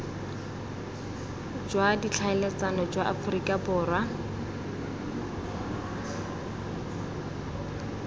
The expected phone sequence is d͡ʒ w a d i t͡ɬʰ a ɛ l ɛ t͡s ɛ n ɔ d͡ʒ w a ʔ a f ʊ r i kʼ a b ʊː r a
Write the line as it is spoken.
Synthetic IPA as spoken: d͡ʒ w a d i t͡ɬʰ a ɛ l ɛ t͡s a n ɔ d͡ʒ w a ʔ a f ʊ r i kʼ a b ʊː r a